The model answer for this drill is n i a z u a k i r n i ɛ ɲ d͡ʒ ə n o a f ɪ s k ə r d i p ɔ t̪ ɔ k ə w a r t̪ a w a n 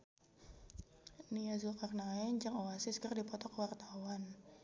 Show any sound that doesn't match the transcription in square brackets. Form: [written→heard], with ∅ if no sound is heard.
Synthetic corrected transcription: n i a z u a k [i→a] r n [i→a] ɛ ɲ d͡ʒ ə [n→ŋ] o a [f→s] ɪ s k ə r d i p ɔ t̪ ɔ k ə w a r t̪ a w a n